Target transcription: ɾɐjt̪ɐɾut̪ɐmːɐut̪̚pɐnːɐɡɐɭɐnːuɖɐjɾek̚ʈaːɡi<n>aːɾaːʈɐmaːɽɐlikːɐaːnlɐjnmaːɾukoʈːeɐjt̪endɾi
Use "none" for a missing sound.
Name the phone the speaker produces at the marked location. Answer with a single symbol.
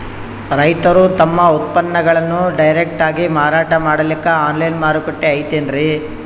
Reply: m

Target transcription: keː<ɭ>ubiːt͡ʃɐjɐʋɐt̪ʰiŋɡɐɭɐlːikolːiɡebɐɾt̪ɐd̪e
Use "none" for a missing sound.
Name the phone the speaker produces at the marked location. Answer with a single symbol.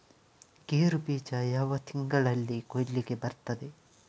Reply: ɾ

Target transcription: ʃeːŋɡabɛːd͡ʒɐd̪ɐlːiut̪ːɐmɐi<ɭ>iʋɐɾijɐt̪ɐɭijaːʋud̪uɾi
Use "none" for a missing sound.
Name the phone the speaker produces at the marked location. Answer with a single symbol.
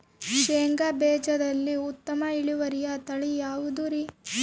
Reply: ɭ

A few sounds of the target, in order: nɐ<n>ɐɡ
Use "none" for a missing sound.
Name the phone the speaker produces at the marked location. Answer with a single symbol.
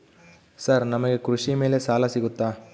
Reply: m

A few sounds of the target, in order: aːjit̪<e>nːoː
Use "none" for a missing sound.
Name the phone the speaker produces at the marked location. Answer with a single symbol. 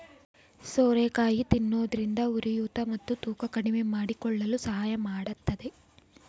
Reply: i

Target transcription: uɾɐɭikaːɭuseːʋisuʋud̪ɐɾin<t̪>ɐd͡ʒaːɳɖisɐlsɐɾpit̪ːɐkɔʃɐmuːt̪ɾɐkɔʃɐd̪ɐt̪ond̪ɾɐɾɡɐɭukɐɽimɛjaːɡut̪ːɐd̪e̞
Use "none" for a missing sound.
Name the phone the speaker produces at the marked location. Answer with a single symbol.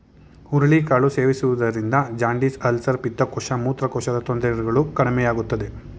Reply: d̪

